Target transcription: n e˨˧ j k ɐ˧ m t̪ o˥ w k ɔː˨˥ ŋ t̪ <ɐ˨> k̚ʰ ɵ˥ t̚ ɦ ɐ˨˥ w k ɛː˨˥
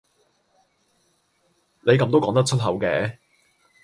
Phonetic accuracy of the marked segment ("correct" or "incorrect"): incorrect